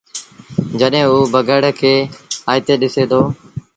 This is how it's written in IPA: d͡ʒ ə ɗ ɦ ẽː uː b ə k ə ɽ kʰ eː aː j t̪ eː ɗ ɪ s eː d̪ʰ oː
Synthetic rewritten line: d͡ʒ ə ɗ ɦ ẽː uː b ə ɡ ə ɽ kʰ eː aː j t̪ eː ɗ ɪ s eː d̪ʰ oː